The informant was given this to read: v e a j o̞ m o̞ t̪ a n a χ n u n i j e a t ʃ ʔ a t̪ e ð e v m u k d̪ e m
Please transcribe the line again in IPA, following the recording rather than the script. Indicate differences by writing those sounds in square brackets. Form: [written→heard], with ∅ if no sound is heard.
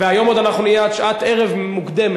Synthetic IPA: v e a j o̞ m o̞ [t̪→d̪] a n a χ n u n i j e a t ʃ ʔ a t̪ e [ð→ʁ] e v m u k d̪ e m

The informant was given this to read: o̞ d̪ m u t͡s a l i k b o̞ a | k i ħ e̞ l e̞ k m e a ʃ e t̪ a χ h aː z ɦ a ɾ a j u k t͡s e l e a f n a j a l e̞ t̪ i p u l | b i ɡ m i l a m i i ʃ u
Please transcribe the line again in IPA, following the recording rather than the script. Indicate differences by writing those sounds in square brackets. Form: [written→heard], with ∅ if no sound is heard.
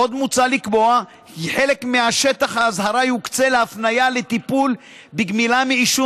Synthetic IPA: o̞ d̪ m u t͡s a l i k b o̞ a | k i ħ e̞ l e̞ k m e a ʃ e t̪ a χ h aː z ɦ a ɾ a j u k t͡s e l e a f n a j a l e̞ t̪ i p u l | b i ɡ m i l a m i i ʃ u

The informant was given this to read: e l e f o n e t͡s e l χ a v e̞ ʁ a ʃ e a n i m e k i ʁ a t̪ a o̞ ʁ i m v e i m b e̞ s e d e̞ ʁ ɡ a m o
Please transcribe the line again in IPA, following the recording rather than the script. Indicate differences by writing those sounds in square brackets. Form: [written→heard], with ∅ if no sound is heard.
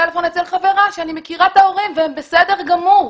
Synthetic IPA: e l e f o n e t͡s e l χ a v e̞ ʁ a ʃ e a n i m e k i ʁ a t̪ a o̞ ʁ i m v e [i→e] m b e̞ s e d e̞ ʁ ɡ a m [o→u]

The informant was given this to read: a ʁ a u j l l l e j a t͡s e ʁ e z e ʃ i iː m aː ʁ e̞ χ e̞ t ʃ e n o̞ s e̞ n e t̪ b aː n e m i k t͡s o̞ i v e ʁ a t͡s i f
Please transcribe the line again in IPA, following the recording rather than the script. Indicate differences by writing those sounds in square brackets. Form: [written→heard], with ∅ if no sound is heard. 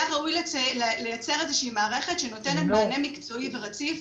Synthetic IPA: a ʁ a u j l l l e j a t͡s e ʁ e z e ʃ i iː m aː ʁ e̞ χ e̞ t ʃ e n o̞ [s→t] e̞ n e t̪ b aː n e m i k t͡s o̞ i v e ʁ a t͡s i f

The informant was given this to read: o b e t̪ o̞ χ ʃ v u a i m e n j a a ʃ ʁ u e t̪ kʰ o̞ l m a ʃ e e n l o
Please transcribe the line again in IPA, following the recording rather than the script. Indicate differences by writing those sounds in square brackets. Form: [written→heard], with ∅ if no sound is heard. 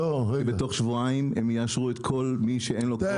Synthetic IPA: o b e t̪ o̞ χ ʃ v u a i m e [n→m] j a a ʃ ʁ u e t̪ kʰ o̞ l m [a→i] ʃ e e n l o

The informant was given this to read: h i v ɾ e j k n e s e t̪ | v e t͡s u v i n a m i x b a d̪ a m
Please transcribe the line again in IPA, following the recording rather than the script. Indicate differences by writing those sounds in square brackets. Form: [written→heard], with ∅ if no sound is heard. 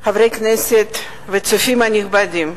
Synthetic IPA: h [i→a] v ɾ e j k n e s e t̪ | v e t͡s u [v→f] i [n→m] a [m→n] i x b a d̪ [a→i] m

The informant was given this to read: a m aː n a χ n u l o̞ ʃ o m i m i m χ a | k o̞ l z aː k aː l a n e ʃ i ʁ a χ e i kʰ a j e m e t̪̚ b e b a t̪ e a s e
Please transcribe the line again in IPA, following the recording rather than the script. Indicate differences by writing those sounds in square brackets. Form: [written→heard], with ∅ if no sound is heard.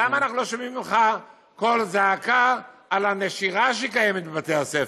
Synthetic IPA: a m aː n a χ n u l o̞ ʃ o m i m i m χ a | k o̞ l z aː k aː l a n e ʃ i ʁ a [χ→ʃ] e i [kʰ→k] a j e m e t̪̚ b e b a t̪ e a s e

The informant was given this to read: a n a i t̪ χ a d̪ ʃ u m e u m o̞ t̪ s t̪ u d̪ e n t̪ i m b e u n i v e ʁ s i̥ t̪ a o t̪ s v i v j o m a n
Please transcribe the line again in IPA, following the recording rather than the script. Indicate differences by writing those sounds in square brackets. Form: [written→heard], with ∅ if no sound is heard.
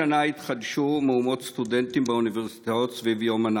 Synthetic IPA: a n a i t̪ χ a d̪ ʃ u m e u m o̞ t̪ s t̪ u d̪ e n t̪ i m b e u n i v e ʁ s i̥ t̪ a o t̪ s v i v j o m a n

